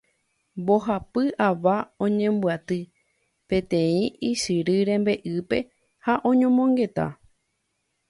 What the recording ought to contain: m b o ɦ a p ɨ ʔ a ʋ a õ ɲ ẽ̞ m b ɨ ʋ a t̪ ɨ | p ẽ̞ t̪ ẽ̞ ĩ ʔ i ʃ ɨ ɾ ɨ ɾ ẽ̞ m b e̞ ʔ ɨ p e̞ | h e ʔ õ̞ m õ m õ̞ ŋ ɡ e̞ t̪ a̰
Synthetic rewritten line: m b o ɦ a p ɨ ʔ a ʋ a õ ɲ ẽ̞ m b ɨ a t̪ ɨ | p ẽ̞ t̪ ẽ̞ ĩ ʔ i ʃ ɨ ɾ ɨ ɾ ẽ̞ m b e̞ ʔ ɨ p e̞ | h a ʔ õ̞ ɲ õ m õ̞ ŋ ɡ e̞ t̪ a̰